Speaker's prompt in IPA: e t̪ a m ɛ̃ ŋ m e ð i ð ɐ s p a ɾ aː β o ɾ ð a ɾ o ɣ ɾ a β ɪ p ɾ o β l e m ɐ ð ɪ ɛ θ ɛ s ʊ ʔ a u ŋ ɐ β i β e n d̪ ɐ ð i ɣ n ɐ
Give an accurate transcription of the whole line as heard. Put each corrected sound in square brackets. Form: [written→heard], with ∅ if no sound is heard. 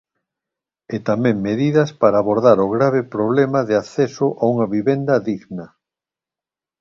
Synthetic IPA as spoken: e t̪ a m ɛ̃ ŋ m e ð i ð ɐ s p a ɾ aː β o ɾ ð a ɾ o ɣ ɾ a β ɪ p ɾ o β l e m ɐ ð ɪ [ɛ→a] θ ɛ s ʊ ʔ a u ŋ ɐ β i β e n d̪ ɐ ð i ɣ n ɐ